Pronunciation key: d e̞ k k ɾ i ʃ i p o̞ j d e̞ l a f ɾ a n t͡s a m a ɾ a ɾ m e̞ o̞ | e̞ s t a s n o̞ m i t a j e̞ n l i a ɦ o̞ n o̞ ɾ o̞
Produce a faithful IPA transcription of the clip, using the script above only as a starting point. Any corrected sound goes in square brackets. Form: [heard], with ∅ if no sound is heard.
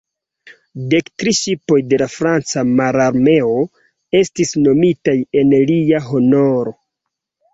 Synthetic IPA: d e̞ k [t] ɾ i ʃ i p o̞ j d e̞ l a f ɾ a n t͡s a m a ɾ a ɾ m e̞ o̞ | e̞ s t [i] s n o̞ m i t a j e̞ n l i a ɦ o̞ n o̞ ɾ o̞